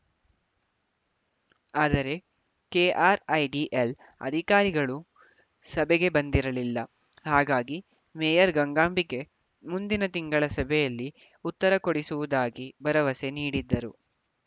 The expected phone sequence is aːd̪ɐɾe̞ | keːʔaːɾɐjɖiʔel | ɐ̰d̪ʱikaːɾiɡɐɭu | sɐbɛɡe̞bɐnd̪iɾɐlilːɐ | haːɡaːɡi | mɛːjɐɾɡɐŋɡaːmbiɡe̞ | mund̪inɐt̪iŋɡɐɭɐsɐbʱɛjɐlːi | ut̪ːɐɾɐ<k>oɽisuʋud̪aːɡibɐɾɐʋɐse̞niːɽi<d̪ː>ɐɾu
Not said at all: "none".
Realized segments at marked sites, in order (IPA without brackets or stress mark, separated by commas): k, d̪ː